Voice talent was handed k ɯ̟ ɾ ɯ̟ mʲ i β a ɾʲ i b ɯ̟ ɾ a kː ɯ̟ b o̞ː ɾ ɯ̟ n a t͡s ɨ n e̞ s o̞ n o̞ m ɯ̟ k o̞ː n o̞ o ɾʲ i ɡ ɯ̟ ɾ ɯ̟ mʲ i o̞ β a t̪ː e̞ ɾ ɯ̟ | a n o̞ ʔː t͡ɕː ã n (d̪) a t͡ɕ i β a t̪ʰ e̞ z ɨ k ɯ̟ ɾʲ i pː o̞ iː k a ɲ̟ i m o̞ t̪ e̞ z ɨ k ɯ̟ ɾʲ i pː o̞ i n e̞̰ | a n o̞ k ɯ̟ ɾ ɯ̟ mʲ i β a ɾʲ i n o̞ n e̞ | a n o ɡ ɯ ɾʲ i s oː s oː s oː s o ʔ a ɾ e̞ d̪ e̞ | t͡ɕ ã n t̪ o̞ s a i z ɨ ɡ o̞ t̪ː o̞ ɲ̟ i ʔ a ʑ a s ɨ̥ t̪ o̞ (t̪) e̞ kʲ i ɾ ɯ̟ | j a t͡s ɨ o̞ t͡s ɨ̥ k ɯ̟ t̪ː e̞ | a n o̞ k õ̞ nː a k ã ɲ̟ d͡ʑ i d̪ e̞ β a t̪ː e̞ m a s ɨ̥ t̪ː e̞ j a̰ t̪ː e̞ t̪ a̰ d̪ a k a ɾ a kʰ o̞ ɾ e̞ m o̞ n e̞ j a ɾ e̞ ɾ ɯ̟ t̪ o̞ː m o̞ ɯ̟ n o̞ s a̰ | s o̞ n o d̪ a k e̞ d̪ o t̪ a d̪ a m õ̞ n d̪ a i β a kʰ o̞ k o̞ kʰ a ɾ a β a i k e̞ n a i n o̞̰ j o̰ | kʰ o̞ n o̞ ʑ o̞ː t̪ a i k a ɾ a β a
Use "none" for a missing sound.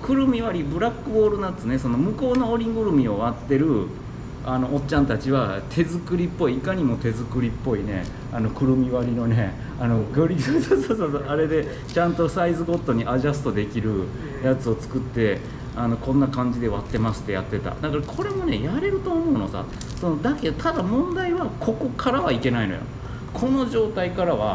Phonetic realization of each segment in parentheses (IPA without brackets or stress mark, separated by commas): t̪, d̪